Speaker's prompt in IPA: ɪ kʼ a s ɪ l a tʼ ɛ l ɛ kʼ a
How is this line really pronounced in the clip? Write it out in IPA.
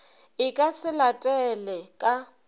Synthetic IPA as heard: ɪ kʼ a s ɪ l a tʼ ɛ l ɛ kʼ a